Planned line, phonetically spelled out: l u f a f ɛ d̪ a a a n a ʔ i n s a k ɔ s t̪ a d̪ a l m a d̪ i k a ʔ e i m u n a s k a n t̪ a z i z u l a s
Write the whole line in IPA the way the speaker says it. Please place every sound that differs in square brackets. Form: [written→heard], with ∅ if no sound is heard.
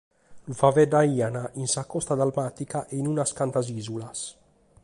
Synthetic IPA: l u f a [f→v] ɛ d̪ a [a→i] a n a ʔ i n s a k ɔ s t̪ a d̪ a l m a [d̪→t̪] i k a ʔ e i [m→n] u n a s k a n t̪ a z i z u l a s